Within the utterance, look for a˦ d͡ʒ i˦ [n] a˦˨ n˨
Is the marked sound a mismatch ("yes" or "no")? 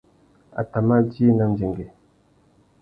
no